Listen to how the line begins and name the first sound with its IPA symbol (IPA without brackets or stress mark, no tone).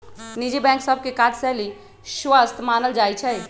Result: n